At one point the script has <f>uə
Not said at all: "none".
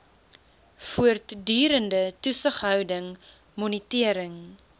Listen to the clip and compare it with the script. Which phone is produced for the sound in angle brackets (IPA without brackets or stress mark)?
f